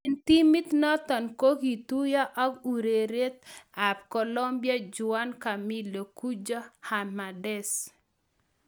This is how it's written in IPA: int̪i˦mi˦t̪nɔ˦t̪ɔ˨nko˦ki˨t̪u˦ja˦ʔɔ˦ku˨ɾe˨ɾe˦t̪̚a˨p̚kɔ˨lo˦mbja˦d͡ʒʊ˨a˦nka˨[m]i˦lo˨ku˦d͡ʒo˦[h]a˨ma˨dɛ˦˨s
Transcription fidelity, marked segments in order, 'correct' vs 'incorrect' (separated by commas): correct, correct